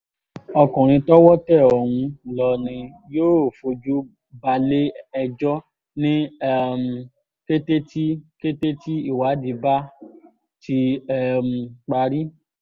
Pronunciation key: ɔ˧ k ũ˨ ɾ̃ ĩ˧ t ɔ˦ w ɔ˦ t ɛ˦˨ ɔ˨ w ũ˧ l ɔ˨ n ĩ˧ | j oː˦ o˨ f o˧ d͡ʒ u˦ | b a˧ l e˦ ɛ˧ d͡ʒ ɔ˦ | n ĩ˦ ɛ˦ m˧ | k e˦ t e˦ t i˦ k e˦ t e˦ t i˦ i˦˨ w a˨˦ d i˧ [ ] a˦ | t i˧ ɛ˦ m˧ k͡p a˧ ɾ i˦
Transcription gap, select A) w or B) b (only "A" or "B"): B